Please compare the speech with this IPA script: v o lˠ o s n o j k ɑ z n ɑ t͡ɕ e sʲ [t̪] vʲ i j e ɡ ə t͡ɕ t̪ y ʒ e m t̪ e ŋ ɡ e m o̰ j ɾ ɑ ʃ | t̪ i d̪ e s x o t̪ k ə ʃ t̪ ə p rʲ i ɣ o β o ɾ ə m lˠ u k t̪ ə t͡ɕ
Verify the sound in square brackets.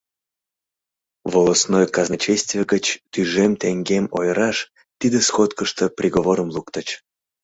correct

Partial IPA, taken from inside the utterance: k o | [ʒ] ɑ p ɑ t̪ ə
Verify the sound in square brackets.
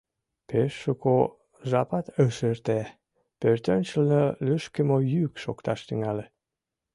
correct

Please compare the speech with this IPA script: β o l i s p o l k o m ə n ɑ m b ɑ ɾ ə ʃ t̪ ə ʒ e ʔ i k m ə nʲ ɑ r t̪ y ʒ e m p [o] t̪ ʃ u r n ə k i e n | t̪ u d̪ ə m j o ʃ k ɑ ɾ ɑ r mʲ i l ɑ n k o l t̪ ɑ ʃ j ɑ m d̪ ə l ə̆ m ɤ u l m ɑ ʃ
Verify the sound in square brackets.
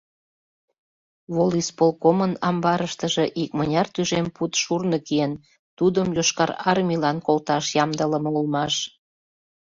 incorrect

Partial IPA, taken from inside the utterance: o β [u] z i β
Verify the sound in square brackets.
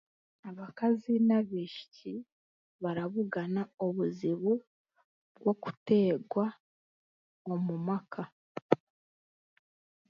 correct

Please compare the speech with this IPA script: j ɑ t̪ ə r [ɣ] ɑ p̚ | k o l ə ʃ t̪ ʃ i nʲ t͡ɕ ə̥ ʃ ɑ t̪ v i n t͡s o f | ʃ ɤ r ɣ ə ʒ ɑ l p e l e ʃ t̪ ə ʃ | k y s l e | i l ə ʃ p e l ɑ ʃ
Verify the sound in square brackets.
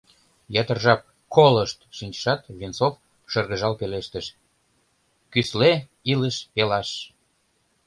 incorrect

